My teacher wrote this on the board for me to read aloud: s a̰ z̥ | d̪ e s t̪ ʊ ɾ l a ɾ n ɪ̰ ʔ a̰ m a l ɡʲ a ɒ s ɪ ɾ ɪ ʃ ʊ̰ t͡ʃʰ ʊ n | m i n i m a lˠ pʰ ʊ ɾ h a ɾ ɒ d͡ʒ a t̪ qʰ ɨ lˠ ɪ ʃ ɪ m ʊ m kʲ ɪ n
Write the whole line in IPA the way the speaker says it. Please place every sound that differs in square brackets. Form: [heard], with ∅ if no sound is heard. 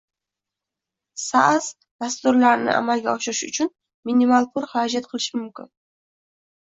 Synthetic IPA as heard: s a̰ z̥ | d̪ [a] s t̪ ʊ ɾ l a ɾ n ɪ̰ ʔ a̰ m a l ɡʲ a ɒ [ʃ] ɪ ɾ ɪ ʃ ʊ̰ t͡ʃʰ ʊ n | m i n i m a lˠ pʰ ʊ ɾ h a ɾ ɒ d͡ʒ a t̪ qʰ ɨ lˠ ɪ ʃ ɪ m ʊ m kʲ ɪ n